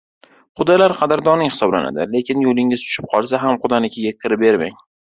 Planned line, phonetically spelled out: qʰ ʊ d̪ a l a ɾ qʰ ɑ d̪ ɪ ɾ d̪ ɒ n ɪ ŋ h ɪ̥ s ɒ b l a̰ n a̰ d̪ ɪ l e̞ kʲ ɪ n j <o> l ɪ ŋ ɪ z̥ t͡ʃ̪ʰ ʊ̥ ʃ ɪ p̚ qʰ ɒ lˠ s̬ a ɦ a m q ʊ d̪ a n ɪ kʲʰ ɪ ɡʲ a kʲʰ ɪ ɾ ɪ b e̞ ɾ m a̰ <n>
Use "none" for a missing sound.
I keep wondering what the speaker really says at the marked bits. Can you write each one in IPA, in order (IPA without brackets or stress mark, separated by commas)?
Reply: o, ŋ